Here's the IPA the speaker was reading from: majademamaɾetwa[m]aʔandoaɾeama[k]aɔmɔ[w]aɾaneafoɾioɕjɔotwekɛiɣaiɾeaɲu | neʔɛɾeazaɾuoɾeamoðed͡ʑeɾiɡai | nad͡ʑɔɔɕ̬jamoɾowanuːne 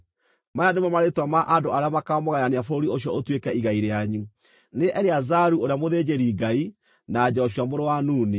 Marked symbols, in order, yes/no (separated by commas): yes, yes, no